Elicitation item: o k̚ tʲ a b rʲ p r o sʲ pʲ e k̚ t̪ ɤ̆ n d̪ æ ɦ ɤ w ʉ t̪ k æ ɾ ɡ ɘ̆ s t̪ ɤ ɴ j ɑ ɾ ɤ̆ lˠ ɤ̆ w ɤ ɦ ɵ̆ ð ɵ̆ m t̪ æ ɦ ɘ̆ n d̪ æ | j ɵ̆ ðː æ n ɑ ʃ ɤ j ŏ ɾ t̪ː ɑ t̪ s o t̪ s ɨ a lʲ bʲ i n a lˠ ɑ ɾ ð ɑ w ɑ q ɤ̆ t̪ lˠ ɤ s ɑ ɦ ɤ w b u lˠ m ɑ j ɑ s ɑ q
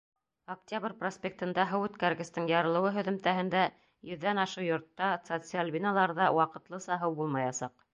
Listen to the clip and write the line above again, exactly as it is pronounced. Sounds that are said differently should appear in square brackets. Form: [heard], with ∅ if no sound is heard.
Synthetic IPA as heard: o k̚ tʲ a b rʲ p r o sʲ pʲ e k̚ t̪ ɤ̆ n d̪ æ ɦ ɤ w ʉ t̪ k æ ɾ ɡ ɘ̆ s t̪ ɤ ɴ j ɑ ɾ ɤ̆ lˠ ɤ̆ w ɤ ɦ ɵ̆ ð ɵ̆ m t̪ æ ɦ ɘ̆ n d̪ æ | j ɵ̆ ðː æ n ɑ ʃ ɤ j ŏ ɾ t̪ː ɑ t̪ s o t̪ s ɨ a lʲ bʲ i n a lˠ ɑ ɾ ð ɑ w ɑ q ɤ̆ t̪ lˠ ɤ s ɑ ɦ ɤ w b u lˠ m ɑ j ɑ s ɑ q